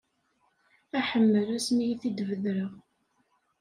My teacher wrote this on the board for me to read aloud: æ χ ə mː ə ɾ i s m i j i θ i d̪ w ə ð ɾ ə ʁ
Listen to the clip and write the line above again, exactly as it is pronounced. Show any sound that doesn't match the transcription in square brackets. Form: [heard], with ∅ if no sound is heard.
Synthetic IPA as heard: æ [ħ] ə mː ə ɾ [æ] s m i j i θ i d̪ [v] ə ð ɾ ə ʁ